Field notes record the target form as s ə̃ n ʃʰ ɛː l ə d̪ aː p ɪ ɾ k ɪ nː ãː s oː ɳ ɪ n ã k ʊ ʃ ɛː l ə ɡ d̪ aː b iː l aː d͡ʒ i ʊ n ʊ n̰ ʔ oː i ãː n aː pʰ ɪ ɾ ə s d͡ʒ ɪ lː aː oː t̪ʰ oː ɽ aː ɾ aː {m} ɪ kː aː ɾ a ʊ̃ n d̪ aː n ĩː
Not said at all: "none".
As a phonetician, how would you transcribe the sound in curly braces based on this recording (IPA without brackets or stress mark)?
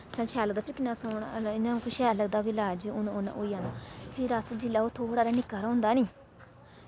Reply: n